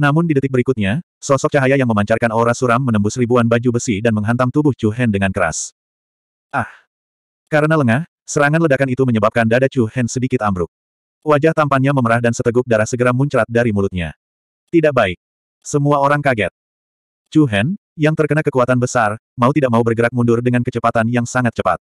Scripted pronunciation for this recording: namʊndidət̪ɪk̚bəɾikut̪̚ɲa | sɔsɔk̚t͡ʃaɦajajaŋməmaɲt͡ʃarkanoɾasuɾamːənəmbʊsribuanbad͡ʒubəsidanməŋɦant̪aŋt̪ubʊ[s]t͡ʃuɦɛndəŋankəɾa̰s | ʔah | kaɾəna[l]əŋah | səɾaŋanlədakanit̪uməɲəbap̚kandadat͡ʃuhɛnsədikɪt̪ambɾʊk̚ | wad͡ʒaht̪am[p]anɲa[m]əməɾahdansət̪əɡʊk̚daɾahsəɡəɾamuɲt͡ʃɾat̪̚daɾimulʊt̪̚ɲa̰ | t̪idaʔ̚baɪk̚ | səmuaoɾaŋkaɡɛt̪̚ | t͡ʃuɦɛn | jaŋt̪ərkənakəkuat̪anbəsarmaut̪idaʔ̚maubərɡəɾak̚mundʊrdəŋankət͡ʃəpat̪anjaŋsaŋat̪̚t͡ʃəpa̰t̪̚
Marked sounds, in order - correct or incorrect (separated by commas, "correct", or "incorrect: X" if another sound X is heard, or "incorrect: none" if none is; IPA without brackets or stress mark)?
incorrect: h, correct, correct, correct